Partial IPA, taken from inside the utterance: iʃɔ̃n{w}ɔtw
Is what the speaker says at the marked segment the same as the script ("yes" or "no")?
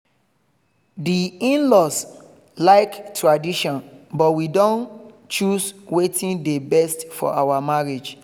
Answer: no